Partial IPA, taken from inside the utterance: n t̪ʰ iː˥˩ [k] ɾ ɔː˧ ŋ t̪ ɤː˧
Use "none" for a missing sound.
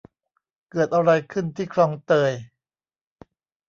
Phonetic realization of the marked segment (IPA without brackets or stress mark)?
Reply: kʰ